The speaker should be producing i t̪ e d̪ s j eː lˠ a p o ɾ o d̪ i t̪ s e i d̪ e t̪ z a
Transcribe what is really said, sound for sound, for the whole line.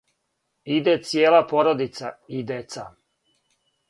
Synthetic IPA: i d̪ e t̪ s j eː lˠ a p o ɾ o d̪ i t̪ s a i d̪ e t̪ s a